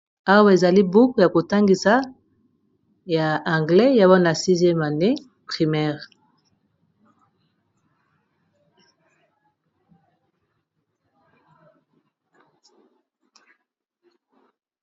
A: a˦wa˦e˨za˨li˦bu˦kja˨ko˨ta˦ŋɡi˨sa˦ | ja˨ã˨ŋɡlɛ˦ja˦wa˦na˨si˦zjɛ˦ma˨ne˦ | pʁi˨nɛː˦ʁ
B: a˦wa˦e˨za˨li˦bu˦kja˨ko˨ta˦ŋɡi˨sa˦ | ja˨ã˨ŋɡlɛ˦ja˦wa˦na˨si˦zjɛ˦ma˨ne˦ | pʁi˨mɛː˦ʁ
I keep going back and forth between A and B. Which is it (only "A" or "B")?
B